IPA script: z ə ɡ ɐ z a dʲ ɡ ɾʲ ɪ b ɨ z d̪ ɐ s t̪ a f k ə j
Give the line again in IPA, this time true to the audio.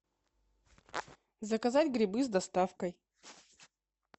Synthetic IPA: z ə k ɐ z a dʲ ɡ ɾʲ ɪ b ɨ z d̪ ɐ s t̪ a f k ə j